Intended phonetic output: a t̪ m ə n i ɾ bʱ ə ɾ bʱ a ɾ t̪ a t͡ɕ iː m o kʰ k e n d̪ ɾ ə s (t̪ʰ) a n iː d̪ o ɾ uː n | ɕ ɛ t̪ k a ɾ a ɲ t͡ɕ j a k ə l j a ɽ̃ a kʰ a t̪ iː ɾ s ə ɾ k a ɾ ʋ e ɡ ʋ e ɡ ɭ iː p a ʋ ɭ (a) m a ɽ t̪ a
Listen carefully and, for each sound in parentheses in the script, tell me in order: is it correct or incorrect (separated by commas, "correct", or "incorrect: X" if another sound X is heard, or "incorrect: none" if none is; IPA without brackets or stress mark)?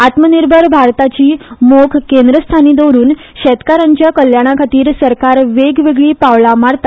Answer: correct, correct